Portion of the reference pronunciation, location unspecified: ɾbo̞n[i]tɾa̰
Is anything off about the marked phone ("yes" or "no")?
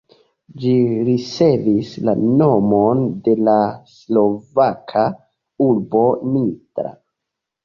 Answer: no